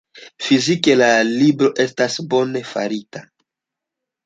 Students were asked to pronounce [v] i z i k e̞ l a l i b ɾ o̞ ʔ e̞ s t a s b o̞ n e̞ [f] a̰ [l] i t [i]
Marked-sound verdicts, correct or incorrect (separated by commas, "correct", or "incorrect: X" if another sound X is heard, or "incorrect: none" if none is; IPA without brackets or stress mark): incorrect: f, correct, incorrect: ɾ, incorrect: a